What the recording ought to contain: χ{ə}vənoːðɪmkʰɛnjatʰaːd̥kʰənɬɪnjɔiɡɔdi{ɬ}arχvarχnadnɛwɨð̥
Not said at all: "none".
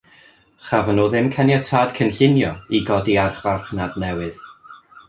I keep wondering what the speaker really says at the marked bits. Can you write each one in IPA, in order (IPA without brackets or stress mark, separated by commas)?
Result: a, none